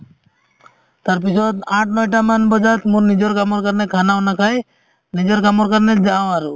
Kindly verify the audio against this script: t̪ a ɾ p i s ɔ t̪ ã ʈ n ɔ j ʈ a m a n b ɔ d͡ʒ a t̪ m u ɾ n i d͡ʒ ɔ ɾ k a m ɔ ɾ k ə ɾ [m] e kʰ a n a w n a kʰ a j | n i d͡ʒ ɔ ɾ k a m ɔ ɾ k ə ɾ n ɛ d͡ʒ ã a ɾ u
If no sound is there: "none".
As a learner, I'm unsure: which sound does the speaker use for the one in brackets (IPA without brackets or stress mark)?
n